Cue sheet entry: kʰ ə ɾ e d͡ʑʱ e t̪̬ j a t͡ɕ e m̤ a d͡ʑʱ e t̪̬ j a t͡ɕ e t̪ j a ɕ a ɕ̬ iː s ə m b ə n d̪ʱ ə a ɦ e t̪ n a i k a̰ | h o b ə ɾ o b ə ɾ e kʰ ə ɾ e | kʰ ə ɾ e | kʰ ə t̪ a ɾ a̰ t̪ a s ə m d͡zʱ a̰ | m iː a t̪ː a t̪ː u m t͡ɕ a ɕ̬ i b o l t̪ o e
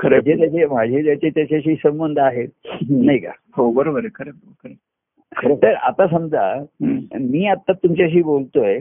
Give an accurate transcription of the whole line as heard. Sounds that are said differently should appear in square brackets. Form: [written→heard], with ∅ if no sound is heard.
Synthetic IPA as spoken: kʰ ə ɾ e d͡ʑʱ e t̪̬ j a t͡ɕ e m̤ a d͡ʑʱ e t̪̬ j a t͡ɕ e t̪ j a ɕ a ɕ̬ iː s ə m b ə n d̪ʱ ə a ɦ e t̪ n a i k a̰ | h o b ə ɾ o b ə ɾ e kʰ ə ɾ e | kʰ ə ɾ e | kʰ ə t̪ [a→ə] ɾ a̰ t̪ a s ə m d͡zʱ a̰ | m iː a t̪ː a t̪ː u m t͡ɕ a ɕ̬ [i→iː] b o l t̪ o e